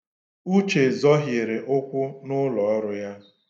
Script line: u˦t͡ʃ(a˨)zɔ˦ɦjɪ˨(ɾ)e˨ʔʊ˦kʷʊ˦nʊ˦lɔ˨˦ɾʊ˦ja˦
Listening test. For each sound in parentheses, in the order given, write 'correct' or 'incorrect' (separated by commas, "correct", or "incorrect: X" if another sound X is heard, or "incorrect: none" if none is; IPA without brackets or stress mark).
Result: incorrect: e˨, correct